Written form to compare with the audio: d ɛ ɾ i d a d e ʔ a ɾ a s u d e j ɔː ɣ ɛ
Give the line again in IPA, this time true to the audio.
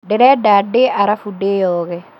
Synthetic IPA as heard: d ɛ ɾ ɛ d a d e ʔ a ɾ a f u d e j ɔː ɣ ɛ